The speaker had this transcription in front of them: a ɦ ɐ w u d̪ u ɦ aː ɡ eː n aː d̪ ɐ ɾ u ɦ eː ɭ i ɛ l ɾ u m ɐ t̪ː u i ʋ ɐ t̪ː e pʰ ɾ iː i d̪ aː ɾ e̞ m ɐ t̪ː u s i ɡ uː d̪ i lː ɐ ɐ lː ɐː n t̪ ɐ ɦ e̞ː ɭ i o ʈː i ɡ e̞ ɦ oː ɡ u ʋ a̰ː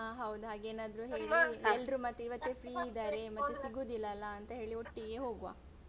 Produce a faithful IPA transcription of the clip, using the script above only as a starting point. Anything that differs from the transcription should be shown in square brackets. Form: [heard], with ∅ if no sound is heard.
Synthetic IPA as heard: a ɦ ɐ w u d̪ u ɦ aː ɡ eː n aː d̪ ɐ ɾ u ɦ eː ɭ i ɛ l ɾ u m ɐ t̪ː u i ʋ ɐ t̪ː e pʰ ɾ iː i d̪ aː ɾ e̞ m ɐ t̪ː u s i ɡ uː d̪ i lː ɐ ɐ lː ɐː n t̪ ɐ ɦ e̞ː ɭ i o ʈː i ɡ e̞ ɦ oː ɡ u ʋ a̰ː